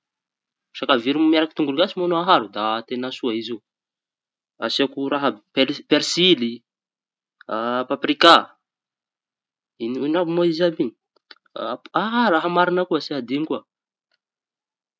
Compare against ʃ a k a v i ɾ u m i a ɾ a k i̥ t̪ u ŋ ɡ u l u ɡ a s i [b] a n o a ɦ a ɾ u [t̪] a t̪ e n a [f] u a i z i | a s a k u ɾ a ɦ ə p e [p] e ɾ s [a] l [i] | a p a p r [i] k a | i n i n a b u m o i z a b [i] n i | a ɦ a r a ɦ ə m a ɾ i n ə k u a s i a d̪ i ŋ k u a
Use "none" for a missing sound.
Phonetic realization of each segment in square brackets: m, d̪, s, p, i, i, i, i

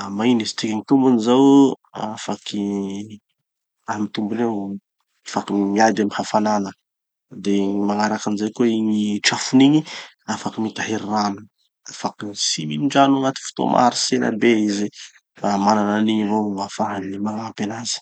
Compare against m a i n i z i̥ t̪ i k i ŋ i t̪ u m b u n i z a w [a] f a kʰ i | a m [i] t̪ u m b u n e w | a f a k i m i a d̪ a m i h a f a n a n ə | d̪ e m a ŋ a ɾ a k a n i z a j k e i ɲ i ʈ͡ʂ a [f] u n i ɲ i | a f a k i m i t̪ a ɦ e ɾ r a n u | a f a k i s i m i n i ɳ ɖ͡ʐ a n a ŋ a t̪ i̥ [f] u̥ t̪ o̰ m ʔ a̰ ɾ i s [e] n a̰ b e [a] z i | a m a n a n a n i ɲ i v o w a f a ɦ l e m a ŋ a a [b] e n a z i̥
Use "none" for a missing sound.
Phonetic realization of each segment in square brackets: a, i, f, f, e, i, p

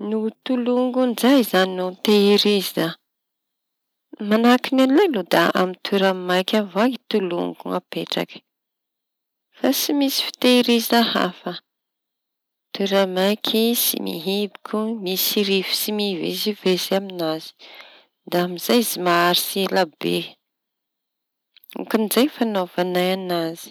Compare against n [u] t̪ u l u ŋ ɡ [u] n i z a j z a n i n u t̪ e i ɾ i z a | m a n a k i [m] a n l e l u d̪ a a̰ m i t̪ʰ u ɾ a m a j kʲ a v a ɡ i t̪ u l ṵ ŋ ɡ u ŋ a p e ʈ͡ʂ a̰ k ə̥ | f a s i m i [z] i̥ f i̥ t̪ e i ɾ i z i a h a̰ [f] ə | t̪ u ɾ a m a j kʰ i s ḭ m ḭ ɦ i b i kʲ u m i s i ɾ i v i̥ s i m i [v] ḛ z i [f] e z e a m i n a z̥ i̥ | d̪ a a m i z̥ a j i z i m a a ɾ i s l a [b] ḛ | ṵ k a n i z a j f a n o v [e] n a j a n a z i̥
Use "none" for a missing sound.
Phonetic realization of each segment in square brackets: u, u, n, s, f, v, v, b, a

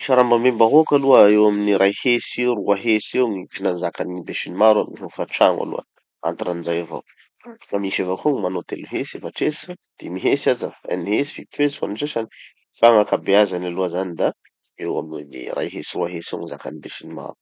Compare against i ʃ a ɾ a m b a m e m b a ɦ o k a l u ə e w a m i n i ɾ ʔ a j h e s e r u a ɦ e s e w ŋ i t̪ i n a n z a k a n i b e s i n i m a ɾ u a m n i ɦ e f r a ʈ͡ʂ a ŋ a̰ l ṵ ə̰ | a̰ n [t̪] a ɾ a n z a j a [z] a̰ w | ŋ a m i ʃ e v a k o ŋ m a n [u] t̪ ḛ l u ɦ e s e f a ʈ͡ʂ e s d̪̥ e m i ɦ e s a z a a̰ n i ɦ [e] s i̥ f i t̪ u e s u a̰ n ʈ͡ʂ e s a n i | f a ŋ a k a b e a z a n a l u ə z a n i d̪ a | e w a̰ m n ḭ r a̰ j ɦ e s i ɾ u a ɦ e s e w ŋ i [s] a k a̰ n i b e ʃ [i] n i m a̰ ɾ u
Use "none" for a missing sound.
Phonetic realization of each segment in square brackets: t̪, v, o, e, z, i

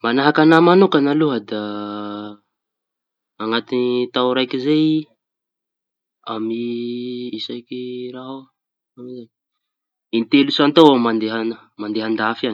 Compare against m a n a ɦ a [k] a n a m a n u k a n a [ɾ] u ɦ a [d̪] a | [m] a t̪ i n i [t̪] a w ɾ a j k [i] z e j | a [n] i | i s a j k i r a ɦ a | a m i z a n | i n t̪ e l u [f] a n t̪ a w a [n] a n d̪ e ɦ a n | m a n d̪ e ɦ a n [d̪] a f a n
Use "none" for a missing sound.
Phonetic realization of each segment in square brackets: k, l, d̪, ŋ, t̪, i, m, s, m, d̪

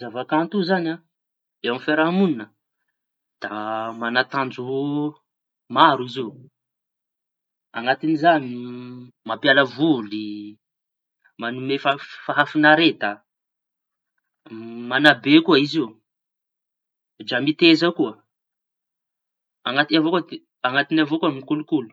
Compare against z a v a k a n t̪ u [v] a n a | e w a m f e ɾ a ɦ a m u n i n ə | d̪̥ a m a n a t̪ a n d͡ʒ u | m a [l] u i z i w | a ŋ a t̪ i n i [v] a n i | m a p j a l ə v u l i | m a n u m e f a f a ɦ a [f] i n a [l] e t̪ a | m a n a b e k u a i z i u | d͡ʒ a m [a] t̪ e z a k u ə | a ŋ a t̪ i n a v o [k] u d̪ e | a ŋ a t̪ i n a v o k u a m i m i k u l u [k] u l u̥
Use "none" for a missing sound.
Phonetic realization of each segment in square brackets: z, ɾ, z, f, ɾ, i, k, k

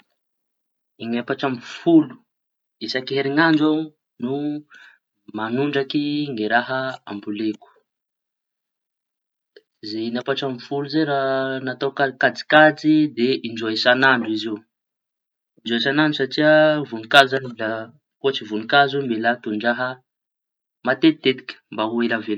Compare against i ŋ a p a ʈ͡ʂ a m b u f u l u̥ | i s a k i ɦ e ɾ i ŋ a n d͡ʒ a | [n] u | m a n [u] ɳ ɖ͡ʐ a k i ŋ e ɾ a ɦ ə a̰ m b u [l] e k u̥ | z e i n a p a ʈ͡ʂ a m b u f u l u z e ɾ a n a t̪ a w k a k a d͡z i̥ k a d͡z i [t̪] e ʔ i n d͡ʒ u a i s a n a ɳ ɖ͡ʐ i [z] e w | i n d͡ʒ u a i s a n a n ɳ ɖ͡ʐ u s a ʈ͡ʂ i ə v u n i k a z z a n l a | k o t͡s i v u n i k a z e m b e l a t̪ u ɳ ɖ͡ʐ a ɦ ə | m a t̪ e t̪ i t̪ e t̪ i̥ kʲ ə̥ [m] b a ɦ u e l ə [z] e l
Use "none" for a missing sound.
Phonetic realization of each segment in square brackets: n, u, l, d̪, z, m, v

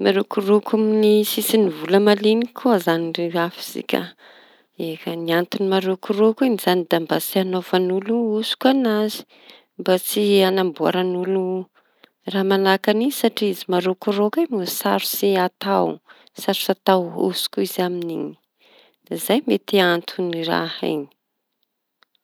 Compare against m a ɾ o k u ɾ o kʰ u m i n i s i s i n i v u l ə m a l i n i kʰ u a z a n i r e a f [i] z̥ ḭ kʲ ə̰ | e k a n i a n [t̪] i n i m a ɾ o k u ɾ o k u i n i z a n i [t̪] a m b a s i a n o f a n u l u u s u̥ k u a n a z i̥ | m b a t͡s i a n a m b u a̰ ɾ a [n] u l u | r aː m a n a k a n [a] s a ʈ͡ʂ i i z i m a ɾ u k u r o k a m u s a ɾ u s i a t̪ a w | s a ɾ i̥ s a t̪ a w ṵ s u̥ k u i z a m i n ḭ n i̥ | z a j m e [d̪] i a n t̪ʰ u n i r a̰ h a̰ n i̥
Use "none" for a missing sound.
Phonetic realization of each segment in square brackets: i, t̪, d̪, n, i, t̪

